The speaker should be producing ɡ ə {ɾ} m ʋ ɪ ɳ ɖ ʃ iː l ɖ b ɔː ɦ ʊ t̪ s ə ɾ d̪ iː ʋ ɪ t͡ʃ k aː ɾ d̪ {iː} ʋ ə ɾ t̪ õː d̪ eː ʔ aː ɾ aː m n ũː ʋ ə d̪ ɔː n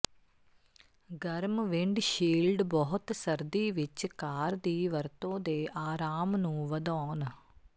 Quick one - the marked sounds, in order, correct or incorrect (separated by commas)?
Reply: correct, correct